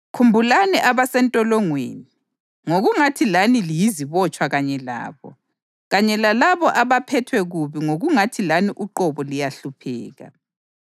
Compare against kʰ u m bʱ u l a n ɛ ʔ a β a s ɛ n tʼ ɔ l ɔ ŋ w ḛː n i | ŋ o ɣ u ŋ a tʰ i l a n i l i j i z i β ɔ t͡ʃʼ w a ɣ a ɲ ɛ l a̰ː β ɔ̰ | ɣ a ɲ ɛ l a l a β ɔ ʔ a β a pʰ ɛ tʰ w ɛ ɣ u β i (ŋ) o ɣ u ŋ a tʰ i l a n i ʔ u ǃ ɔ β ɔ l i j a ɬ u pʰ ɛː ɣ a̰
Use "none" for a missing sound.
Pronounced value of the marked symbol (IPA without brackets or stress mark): ŋ